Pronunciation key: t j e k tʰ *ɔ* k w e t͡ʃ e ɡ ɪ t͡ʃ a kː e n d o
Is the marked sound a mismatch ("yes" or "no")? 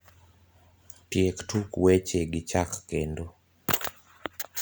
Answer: yes